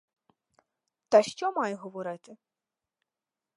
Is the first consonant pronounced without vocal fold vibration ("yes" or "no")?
yes